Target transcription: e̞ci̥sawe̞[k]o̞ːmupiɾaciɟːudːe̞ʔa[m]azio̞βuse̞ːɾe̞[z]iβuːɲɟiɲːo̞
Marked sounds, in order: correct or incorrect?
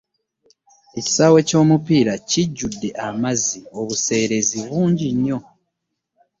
incorrect, correct, correct

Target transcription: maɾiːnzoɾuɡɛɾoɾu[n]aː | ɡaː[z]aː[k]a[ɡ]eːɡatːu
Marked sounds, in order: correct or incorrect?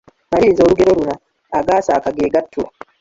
correct, incorrect, correct, correct

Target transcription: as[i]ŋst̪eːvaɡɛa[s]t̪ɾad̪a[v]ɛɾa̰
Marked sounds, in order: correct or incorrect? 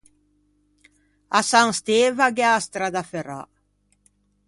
incorrect, correct, incorrect

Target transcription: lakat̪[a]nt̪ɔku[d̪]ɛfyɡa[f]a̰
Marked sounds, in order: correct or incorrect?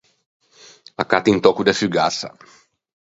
incorrect, correct, incorrect

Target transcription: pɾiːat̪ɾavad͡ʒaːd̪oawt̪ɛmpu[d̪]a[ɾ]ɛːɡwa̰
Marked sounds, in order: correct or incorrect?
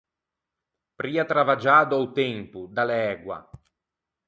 correct, incorrect

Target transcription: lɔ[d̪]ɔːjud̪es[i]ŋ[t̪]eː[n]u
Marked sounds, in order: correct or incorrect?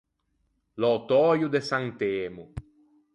incorrect, incorrect, correct, incorrect

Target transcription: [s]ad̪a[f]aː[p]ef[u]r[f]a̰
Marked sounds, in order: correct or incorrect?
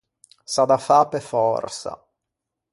correct, correct, correct, incorrect, incorrect

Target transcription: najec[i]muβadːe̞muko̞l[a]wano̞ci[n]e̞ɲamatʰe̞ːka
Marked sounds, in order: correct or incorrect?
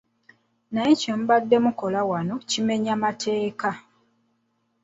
incorrect, correct, incorrect

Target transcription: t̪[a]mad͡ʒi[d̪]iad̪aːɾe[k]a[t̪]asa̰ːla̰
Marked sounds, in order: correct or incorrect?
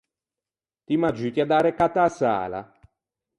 incorrect, incorrect, correct, correct

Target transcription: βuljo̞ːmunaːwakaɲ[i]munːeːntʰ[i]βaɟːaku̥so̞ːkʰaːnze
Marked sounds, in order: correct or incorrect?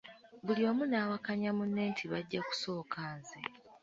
incorrect, correct

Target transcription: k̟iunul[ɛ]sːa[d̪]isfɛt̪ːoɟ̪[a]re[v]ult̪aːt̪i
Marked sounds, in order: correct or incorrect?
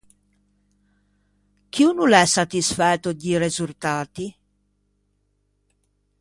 correct, incorrect, incorrect, incorrect

